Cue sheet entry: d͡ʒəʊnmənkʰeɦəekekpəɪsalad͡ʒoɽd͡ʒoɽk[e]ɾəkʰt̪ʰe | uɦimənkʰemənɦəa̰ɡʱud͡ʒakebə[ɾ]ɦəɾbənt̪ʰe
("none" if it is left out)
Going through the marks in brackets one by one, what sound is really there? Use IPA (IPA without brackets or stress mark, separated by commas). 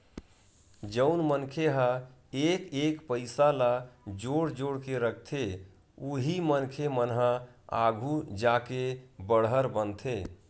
e, ɽ